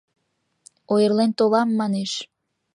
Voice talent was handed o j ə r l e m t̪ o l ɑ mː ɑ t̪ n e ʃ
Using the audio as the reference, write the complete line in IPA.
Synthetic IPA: o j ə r l e n t̪ o l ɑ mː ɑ n e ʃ